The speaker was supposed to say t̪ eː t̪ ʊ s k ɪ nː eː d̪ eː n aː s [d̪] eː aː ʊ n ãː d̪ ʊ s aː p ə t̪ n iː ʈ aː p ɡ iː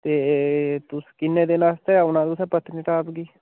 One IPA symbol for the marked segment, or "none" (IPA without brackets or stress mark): t̪